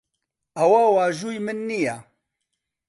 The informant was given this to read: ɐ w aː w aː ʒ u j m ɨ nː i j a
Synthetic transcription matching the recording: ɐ w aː w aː ʒ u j m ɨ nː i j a